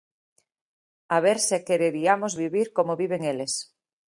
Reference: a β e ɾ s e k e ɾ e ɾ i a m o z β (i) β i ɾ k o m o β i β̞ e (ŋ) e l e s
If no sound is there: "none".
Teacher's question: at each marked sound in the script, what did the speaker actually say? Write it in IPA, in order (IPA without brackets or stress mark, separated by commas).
i, ŋ